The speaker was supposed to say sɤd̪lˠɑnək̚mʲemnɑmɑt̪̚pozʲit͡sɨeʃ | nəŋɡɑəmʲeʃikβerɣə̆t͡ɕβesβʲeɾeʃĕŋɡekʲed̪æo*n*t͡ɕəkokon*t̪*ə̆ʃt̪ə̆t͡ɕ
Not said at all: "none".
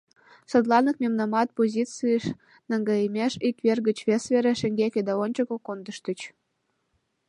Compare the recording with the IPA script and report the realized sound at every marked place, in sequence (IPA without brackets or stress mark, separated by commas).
n, d̪